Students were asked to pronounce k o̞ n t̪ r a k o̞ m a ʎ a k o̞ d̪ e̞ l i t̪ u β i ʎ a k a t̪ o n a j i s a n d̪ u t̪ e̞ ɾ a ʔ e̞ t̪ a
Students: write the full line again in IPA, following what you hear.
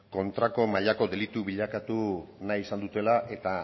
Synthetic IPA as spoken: k o̞ n t̪ ɾ a k o̞ m a ʎ a k o̞ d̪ e̞ l i t̪ u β i ʎ a k a t̪ u n a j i s a n d̪ u t̪ e̞ l a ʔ e̞ t̪ a

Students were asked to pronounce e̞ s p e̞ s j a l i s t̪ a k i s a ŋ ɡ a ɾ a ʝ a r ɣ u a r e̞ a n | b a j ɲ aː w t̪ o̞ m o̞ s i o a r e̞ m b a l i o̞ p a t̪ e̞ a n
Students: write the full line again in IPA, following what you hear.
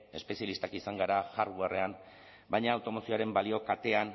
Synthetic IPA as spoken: e̞ s p e̞ s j a l i s t̪ a k i s a ŋ ɡ a ɾ a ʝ a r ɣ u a r e̞ a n | b a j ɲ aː w t̪ o̞ m o̞ s i o a ɾ e̞ m b a l i o̞ k a t̪ e̞ a n

